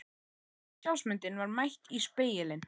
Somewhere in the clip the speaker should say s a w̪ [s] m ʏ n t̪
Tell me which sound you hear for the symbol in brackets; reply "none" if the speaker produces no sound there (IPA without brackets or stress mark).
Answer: s